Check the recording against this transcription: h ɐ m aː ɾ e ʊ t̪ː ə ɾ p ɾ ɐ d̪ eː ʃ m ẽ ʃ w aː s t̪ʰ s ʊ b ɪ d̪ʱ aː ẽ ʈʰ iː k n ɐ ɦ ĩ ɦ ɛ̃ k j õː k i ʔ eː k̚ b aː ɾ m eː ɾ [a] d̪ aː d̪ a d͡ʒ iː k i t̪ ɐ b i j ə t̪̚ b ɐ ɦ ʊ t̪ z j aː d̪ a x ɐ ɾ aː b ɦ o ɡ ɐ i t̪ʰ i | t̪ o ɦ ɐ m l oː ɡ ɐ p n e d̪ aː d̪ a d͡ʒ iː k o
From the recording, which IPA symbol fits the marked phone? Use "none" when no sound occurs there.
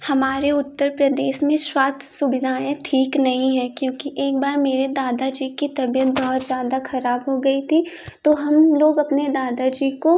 e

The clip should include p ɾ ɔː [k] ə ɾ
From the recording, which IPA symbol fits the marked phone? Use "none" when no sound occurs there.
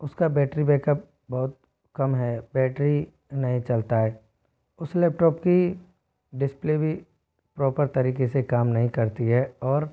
p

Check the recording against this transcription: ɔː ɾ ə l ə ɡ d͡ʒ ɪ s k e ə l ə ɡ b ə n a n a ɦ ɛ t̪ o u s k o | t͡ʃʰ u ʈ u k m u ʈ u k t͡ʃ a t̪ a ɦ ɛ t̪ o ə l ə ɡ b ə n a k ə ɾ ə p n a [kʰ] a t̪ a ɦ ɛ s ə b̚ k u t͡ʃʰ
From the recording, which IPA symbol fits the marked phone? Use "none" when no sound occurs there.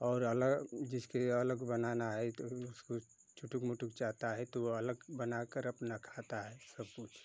kʰ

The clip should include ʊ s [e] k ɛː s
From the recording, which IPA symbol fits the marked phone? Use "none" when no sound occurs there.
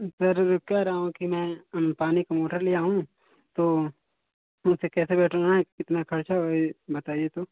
e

